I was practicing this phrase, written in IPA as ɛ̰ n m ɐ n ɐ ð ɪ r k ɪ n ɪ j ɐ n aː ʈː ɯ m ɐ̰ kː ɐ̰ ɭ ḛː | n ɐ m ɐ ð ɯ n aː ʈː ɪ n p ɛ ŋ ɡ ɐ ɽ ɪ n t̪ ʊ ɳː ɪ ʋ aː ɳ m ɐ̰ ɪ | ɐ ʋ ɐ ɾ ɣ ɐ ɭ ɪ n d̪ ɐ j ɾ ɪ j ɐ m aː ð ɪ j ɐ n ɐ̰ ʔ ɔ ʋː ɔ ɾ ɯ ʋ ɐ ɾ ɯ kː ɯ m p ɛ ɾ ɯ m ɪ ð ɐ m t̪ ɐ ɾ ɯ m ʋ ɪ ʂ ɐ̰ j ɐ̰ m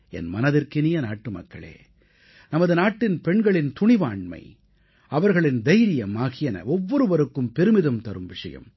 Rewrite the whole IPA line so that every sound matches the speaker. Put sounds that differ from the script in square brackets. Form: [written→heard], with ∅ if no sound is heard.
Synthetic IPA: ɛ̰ n m ɐ n ɐ ð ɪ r k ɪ n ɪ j ɐ n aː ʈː ɯ m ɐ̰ kː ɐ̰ ɭ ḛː | n ɐ m ɐ ð ɯ n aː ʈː ɪ n p ɛ [ŋ→ɳ] ɡ ɐ [ɽ→ɭ] ɪ n t̪ ʊ [ɳː→ɳ] ɪ ʋ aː ɳ m ɐ̰ ɪ | ɐ ʋ ɐ ɾ ɣ ɐ ɭ ɪ n d̪ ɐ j ɾ ɪ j ɐ m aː [ð→ɣ] ɪ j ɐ n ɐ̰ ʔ ɔ ʋː ɔ ɾ ɯ ʋ ɐ ɾ ɯ kː ɯ m p ɛ ɾ ɯ m ɪ ð ɐ m t̪ ɐ ɾ ɯ m ʋ ɪ ʂ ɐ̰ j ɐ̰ m